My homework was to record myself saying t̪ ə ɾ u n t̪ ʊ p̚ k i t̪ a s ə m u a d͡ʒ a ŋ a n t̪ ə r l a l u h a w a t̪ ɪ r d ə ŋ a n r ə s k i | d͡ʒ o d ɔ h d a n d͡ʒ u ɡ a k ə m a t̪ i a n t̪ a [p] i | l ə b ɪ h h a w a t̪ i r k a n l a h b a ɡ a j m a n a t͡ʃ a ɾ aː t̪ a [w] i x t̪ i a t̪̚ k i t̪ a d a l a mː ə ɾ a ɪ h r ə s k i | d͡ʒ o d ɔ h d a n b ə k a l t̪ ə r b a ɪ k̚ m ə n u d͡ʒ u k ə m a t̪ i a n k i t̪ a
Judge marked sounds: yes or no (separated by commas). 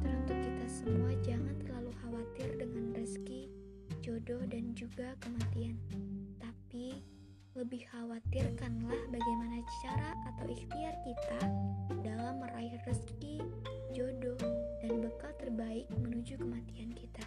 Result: yes, yes